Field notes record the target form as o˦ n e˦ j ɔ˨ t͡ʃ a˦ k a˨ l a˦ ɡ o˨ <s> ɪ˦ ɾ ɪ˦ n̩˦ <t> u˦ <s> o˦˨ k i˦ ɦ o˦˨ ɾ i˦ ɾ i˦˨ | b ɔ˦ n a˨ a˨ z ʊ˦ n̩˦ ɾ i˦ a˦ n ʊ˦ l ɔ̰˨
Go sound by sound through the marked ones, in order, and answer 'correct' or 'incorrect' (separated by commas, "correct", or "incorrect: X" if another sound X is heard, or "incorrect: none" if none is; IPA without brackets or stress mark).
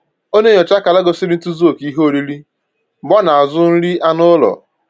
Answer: correct, correct, incorrect: z